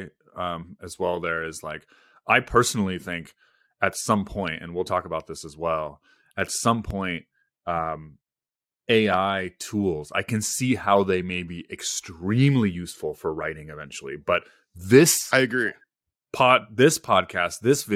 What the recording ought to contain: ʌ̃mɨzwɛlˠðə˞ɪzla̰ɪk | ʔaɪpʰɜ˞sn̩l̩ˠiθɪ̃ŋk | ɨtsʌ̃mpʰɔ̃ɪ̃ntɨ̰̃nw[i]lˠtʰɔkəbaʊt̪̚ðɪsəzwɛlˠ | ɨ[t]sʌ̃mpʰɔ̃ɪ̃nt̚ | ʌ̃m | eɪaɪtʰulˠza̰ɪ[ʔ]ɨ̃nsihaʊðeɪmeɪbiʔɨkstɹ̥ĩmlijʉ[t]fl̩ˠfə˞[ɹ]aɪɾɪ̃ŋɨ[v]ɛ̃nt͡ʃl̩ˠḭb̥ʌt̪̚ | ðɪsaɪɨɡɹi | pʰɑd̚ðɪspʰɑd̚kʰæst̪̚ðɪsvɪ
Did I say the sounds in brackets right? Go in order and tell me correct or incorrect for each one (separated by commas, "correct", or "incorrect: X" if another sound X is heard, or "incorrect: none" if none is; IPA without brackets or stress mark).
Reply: correct, correct, incorrect: k, incorrect: s, correct, correct